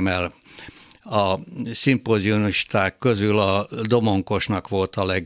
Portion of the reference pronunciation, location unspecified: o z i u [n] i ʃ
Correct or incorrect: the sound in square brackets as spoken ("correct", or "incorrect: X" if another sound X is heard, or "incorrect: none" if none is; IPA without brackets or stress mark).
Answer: correct